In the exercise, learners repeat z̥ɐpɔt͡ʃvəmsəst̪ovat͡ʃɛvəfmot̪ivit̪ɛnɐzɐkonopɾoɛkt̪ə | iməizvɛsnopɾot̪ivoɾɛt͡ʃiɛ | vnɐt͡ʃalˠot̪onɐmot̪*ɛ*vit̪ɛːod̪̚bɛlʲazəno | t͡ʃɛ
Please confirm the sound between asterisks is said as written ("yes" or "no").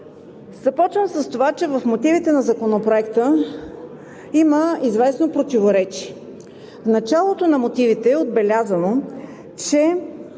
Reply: no